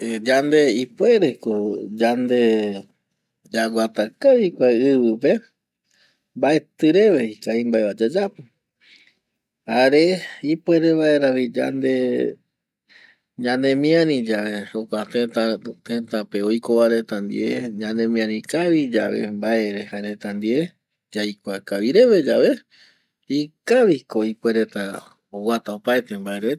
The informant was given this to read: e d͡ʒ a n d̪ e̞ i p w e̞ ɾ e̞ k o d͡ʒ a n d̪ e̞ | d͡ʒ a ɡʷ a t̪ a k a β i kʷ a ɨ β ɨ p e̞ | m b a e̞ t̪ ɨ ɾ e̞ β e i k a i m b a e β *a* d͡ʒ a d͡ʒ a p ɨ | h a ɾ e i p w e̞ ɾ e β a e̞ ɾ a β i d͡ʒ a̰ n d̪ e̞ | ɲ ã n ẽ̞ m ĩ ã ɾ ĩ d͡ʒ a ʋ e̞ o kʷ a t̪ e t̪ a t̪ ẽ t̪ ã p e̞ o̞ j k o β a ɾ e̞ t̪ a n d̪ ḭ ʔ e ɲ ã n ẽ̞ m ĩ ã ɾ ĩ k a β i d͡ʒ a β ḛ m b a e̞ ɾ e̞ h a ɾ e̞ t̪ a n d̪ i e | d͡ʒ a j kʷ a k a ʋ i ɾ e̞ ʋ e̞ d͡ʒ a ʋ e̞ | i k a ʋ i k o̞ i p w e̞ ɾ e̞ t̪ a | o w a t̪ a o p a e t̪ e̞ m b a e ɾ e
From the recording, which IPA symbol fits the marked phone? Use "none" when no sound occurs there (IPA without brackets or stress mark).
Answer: a